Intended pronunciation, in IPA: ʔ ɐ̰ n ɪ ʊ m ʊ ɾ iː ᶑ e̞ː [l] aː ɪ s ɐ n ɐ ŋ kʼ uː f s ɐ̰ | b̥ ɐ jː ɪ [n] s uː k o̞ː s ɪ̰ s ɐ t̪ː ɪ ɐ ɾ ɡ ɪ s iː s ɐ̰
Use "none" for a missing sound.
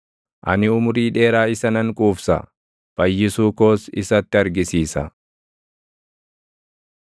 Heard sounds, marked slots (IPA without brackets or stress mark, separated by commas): ɾ, none